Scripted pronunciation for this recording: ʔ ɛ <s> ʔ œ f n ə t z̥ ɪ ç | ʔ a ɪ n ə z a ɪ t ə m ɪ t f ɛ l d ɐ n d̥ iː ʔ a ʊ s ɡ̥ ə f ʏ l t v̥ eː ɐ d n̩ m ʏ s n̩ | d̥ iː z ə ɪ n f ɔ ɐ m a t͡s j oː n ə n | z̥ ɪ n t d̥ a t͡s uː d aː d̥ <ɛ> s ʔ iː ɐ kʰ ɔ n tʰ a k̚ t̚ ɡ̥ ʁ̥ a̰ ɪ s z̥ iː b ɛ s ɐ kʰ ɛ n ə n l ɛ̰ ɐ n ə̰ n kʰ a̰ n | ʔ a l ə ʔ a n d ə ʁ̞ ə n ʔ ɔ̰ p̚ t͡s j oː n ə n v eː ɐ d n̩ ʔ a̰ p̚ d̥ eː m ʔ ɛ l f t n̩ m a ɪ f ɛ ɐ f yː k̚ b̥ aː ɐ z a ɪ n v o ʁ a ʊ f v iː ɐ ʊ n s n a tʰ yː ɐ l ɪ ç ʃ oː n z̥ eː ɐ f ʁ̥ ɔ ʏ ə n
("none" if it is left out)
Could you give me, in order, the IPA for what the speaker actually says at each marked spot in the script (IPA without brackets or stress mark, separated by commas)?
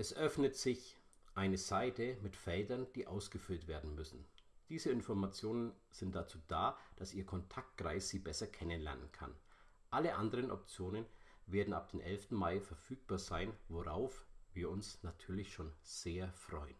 s, a